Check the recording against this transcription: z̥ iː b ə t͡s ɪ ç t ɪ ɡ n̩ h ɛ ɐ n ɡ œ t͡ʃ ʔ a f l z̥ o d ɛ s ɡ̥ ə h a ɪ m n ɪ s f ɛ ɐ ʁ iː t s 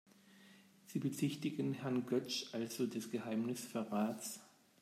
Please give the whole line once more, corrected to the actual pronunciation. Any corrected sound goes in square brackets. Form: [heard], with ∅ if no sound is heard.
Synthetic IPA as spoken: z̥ iː b ə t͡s ɪ ç t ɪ ɡ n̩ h ɛ ɐ n ɡ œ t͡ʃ ʔ a [∅] l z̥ o d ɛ s ɡ̥ ə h a ɪ m n ɪ s f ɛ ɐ ʁ [aː] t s

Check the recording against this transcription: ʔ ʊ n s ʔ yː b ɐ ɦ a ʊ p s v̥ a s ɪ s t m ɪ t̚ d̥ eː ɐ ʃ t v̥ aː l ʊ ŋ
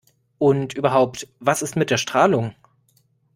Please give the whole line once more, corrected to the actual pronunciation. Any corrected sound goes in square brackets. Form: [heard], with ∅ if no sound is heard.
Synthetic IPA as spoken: ʔ ʊ n [t] ʔ yː b ɐ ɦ a ʊ p [t] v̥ a s ɪ s t m ɪ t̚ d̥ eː ɐ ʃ t [ʁ̥] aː l ʊ ŋ

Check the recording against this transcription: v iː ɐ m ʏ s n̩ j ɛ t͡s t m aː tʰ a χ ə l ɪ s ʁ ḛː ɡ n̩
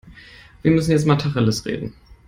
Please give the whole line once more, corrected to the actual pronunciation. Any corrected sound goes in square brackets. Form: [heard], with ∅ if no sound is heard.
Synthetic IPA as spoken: v iː ɐ m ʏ s n̩ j ɛ t͡s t m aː tʰ a χ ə l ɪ s ʁ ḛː [d] n̩

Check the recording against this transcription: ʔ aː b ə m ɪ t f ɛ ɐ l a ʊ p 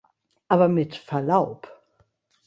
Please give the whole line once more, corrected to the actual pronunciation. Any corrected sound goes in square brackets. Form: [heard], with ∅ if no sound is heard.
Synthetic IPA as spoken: ʔ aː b [ɐ] m ɪ t f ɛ ɐ l a ʊ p

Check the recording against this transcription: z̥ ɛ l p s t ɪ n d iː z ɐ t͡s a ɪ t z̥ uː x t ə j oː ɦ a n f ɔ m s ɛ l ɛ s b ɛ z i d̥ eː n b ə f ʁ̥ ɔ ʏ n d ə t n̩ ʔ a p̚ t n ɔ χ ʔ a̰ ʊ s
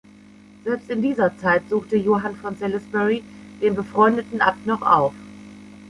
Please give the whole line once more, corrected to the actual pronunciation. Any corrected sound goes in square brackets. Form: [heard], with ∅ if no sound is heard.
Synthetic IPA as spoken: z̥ ɛ l p s t ɪ n d iː z ɐ t͡s a ɪ t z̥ uː x t ə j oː ɦ a n f ɔ [n] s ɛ l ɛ s b ɛ [ʁ] i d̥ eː n b ə f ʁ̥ ɔ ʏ n d ə t n̩ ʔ a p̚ t n ɔ χ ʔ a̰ ʊ [f]

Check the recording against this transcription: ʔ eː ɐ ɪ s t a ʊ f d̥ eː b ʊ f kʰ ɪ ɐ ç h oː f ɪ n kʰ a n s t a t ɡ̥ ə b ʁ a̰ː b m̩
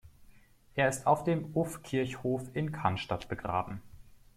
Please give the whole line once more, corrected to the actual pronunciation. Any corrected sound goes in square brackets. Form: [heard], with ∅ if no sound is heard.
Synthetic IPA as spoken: ʔ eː ɐ ɪ s t a ʊ f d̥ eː [m] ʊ f kʰ ɪ ɐ ç h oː f ɪ n kʰ a n [ʃ] t a t [b̥] ə [ɡ] ʁ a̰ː b m̩

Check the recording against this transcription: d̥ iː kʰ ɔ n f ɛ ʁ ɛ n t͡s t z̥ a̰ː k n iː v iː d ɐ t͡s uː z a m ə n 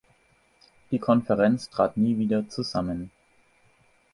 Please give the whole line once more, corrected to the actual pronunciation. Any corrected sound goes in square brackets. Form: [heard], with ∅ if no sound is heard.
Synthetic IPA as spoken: d̥ iː kʰ ɔ n f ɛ ʁ ɛ n t͡s t [ʁ̥] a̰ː [t] n iː v iː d ɐ t͡s [u] z a m ə n

